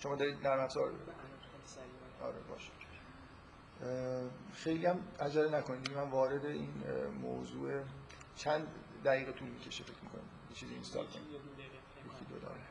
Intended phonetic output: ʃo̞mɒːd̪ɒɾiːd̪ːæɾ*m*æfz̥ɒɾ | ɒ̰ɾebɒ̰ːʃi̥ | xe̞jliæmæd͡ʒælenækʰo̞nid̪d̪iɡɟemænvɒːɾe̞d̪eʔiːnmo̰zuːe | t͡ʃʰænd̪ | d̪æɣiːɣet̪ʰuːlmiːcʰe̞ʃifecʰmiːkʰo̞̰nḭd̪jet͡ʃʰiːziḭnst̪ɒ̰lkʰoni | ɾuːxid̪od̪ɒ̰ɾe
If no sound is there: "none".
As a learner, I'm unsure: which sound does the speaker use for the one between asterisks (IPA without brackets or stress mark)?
m